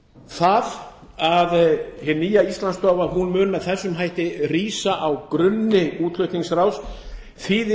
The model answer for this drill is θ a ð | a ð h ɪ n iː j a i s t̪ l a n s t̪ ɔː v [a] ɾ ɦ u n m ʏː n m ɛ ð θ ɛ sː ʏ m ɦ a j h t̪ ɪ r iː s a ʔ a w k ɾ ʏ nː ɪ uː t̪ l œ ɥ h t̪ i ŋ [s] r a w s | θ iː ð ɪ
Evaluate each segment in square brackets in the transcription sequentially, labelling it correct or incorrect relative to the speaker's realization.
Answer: correct, correct

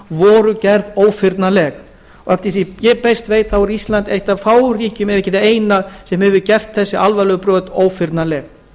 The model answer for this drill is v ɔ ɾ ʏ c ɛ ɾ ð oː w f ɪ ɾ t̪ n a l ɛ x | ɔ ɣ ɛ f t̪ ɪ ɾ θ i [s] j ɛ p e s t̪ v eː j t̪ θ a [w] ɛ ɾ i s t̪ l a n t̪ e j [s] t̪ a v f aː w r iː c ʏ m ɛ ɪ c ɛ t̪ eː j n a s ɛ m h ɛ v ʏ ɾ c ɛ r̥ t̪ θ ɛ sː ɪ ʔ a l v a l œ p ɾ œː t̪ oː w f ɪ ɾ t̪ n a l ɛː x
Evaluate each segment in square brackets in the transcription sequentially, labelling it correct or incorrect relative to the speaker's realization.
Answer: incorrect: none, correct, incorrect: h

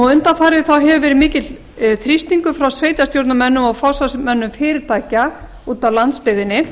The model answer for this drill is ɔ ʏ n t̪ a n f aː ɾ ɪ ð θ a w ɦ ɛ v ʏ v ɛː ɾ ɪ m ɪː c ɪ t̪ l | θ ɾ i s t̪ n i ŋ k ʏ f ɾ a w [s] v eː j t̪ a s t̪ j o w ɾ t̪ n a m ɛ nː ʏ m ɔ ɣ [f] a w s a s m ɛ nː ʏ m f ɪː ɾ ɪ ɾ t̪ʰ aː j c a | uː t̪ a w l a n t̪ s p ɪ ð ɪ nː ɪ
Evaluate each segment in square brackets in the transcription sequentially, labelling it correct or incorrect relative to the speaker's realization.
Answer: correct, correct

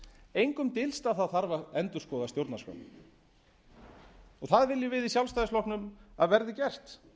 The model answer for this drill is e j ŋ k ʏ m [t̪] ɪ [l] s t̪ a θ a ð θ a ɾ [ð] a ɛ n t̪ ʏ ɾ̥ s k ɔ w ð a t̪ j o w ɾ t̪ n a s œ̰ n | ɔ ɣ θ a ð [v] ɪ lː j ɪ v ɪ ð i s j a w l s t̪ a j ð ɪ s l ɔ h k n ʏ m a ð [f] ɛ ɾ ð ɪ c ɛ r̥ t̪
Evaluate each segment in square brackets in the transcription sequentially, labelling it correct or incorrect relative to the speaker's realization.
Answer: correct, correct, incorrect: v, correct, incorrect: v

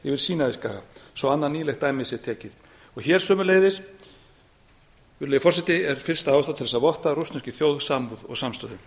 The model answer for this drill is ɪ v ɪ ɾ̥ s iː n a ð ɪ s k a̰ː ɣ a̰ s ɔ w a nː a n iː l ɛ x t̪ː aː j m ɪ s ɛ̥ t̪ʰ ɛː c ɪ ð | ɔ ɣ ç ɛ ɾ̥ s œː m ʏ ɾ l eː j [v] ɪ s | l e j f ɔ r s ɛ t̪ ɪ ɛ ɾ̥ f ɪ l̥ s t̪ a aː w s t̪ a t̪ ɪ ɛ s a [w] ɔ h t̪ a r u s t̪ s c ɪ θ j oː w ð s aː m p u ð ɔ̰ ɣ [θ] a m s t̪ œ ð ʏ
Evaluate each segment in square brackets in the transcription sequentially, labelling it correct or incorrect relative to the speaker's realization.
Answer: incorrect: ð, incorrect: v, incorrect: s

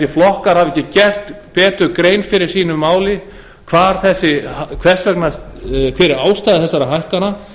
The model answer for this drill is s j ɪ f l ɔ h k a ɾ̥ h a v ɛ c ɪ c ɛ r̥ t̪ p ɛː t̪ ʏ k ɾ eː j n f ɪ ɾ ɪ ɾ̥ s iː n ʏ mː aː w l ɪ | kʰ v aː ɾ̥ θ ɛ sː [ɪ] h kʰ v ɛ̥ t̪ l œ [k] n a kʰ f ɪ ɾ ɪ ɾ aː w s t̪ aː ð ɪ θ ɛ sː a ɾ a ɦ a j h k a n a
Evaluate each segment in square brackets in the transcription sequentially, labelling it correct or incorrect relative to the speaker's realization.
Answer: correct, correct

